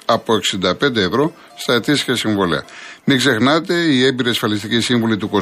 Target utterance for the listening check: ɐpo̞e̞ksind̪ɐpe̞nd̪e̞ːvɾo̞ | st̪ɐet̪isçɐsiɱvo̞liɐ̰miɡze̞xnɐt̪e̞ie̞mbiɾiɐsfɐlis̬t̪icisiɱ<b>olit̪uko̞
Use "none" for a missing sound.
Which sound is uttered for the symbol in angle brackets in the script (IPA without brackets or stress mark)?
v